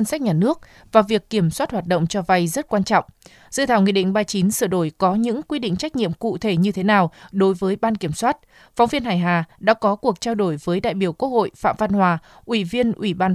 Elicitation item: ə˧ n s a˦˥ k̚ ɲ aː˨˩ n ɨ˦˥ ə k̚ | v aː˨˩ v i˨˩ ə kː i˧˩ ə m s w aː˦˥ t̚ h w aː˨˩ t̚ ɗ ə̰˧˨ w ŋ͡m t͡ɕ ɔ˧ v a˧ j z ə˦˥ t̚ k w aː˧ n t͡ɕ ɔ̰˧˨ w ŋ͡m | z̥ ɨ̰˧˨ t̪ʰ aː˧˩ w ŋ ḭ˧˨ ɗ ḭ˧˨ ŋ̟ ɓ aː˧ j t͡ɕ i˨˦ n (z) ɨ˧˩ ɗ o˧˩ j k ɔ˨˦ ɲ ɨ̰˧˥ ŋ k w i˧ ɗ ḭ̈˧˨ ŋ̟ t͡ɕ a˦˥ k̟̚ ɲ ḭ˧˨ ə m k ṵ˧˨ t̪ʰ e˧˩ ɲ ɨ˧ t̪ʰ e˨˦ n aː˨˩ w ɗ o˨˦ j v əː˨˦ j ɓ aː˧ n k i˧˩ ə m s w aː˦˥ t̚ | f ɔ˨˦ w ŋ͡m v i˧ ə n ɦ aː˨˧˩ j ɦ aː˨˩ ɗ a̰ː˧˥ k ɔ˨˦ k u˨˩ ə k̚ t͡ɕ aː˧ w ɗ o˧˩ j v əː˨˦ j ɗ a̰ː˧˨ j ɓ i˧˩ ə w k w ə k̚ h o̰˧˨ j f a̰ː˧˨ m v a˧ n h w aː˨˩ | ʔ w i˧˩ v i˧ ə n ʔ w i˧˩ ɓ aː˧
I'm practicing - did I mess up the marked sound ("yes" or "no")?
yes